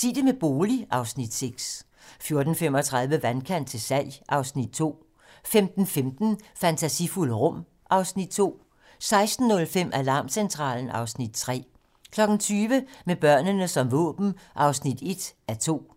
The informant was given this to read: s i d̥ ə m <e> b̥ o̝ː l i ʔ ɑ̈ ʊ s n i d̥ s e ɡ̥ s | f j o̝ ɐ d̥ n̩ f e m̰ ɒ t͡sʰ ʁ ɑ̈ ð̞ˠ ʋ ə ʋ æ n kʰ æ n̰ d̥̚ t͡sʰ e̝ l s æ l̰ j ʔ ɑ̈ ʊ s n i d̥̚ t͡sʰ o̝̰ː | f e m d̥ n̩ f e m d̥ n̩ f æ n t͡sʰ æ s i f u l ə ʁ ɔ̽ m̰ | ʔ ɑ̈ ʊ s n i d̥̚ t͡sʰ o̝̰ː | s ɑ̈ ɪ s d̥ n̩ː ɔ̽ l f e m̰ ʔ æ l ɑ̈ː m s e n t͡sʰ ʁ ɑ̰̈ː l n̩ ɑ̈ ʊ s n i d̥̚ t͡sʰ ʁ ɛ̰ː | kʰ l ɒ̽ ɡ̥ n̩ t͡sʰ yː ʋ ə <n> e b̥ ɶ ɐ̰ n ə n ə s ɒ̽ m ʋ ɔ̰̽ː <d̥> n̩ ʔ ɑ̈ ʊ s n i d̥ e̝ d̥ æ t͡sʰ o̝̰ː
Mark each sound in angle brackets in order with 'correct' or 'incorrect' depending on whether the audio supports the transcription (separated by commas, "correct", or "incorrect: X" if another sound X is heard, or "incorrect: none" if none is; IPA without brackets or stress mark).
correct, incorrect: m, incorrect: b̥